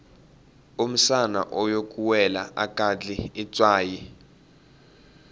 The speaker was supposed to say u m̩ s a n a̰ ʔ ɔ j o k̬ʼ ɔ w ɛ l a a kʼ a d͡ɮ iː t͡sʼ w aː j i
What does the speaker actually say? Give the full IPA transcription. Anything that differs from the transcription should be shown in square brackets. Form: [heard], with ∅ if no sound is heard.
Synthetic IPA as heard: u m̩ s a n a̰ ʔ ɔ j o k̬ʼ [u] w ɛ l a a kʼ a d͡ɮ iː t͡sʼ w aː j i